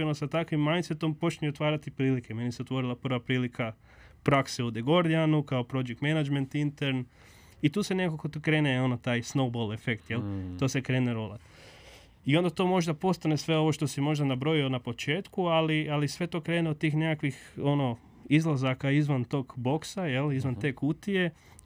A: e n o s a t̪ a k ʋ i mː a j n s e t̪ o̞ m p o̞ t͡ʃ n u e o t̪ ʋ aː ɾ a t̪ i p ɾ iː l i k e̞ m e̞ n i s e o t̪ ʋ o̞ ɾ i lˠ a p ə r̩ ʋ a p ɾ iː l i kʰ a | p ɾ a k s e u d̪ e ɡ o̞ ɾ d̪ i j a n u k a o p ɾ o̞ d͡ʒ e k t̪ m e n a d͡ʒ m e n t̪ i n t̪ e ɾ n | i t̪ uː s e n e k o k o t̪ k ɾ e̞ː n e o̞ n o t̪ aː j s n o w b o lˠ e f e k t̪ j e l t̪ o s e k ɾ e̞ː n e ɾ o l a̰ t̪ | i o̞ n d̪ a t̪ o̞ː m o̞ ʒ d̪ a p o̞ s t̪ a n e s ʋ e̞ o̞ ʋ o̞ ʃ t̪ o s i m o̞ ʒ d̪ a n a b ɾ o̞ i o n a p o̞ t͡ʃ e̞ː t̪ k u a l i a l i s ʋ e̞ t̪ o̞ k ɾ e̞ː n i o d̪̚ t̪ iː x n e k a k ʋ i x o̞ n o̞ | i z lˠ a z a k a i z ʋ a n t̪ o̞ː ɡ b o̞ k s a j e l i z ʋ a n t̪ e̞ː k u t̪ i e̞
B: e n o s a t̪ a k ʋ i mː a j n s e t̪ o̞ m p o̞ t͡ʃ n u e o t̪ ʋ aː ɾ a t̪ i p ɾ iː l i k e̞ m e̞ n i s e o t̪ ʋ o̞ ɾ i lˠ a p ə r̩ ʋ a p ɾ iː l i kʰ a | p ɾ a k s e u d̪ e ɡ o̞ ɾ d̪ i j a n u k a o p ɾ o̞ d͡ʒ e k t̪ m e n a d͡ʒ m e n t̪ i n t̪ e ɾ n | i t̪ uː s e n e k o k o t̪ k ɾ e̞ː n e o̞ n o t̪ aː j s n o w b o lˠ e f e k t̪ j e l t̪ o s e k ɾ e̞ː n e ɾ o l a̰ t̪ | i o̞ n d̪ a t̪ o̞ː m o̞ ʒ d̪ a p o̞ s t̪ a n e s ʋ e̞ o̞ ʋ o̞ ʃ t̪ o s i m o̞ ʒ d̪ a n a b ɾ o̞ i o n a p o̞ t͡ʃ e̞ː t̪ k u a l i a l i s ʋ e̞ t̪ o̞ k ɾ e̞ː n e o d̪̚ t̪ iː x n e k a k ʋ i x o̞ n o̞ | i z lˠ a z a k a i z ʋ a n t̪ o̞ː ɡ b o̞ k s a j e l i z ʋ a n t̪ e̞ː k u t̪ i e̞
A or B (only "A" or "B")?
B